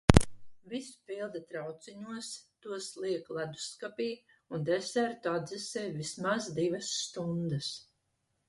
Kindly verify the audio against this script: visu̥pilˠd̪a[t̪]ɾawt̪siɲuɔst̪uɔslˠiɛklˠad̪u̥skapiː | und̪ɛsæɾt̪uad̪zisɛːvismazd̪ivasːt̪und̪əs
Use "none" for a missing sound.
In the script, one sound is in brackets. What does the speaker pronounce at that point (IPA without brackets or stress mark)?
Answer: t̪